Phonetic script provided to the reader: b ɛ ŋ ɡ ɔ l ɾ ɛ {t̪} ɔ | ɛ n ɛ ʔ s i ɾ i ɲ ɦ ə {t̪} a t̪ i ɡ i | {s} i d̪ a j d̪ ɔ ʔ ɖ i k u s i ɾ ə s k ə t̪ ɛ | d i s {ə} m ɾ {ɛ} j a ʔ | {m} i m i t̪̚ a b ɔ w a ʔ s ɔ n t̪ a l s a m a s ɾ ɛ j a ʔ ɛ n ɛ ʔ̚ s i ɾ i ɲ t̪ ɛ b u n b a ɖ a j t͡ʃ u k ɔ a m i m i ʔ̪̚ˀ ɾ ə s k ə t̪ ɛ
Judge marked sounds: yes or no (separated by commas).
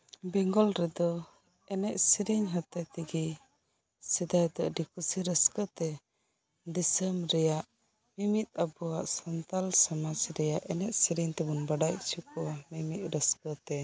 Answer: no, yes, yes, yes, yes, yes